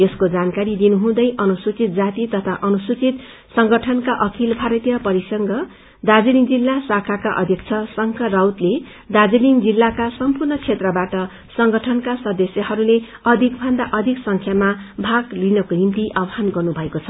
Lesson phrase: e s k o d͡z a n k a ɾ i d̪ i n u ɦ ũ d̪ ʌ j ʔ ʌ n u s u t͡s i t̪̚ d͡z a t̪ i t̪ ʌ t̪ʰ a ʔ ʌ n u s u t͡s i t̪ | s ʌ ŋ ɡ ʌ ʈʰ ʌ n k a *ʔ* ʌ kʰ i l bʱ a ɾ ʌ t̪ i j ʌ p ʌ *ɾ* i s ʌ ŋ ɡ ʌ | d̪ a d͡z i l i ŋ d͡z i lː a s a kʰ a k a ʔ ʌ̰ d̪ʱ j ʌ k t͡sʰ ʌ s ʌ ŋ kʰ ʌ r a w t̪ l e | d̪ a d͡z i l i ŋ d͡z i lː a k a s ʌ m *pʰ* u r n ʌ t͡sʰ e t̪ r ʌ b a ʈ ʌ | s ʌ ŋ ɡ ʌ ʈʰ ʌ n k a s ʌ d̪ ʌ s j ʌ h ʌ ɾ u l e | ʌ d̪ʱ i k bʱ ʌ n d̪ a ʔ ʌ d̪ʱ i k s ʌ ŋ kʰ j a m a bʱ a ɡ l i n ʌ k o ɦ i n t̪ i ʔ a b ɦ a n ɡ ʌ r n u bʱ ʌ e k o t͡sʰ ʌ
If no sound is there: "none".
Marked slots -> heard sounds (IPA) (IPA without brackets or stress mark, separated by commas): ʔ, ɾ, p